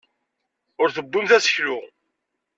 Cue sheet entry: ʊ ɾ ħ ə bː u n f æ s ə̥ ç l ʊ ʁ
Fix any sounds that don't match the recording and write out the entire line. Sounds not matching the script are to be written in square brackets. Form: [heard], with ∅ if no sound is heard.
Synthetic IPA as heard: ʊ ɾ [θ] ə bː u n [θ] æ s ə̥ ç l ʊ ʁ